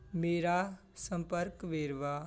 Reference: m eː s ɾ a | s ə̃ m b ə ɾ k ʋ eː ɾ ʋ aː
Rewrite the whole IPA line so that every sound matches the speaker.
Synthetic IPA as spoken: m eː ɾ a | s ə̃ m p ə ɾ k ʋ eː ɾ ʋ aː

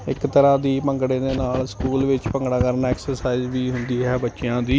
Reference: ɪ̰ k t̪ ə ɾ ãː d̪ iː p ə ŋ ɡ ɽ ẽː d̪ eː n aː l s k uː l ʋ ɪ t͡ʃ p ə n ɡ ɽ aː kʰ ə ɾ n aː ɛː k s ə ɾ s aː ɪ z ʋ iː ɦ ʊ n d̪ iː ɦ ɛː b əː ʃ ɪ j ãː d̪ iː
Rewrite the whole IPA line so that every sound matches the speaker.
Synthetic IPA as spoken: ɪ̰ k t̪ ə ɾ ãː d̪ iː p ə ŋ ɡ ɽ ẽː d̪ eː n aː l s k uː l ʋ ɪ t͡ʃ p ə ŋ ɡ ɽ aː k ə ɾ n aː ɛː k s ə ɾ s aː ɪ z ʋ iː ɦ ʊ n d̪ iː ɦ ɛː b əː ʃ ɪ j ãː d̪ iː

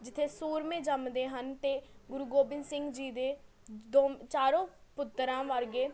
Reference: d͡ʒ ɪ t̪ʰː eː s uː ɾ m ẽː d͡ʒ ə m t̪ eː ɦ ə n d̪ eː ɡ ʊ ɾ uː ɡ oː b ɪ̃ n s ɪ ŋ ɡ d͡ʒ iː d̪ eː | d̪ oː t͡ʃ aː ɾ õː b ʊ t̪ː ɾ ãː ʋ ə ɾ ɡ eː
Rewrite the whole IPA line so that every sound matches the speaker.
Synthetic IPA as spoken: d͡ʒ ɪ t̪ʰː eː s uː ɾ m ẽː d͡ʒ ə m d̪ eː ɦ ə n t̪ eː ɡ ʊ ɾ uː ɡ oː b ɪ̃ n s ɪ ŋ ɡ d͡ʒ iː d̪ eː | d̪ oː t͡ʃ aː ɾ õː p ʊ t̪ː ɾ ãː ʋ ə ɾ ɡ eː

